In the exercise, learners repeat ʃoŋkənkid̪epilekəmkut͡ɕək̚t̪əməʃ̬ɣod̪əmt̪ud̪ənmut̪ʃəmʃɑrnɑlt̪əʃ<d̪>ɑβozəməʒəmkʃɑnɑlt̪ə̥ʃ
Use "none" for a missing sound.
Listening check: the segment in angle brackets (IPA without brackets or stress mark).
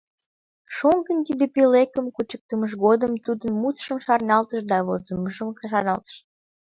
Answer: d̪